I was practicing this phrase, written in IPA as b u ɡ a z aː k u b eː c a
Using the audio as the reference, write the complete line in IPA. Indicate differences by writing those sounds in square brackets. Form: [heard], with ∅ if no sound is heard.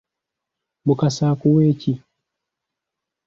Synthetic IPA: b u [k] a [s] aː k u [w] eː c [i]